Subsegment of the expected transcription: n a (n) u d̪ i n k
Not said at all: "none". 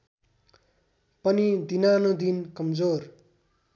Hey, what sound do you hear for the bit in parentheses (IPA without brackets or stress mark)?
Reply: n